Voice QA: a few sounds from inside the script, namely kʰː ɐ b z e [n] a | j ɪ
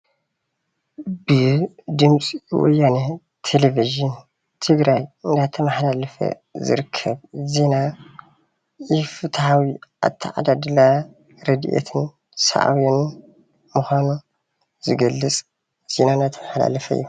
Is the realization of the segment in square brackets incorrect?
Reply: no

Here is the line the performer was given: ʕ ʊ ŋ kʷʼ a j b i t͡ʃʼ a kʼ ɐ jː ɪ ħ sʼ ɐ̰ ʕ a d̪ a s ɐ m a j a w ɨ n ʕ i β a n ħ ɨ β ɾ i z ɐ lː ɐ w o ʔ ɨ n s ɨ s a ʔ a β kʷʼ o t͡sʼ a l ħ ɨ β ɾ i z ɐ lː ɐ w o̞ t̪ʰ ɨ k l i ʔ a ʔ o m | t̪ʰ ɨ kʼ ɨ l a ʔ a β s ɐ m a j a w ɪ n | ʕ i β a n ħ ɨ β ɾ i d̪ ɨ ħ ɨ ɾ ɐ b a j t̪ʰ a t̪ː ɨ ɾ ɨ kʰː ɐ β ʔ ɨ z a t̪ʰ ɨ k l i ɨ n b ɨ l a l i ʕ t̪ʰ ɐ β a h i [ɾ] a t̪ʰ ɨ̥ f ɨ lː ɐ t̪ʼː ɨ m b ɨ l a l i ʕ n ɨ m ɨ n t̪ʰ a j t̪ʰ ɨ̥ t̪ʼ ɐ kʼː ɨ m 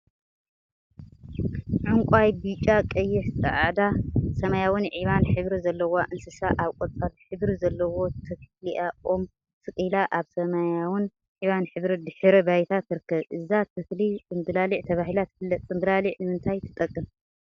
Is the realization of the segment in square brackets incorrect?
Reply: yes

